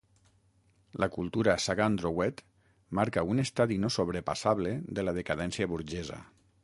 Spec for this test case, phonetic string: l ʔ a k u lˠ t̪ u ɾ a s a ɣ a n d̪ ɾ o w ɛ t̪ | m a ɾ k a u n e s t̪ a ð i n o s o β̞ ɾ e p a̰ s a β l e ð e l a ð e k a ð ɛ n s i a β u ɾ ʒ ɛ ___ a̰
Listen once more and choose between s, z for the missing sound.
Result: z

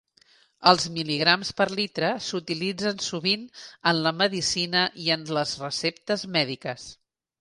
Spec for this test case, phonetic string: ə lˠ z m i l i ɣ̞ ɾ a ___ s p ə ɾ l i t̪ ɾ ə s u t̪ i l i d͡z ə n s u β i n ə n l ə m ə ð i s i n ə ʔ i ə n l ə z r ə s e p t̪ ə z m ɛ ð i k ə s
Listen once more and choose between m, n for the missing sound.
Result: m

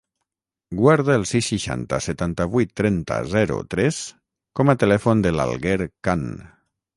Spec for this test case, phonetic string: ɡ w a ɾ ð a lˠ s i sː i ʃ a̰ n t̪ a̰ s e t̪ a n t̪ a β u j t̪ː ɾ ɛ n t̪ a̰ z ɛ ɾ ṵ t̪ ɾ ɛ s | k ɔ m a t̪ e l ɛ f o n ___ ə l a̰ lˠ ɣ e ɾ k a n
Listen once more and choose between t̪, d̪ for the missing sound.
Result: d̪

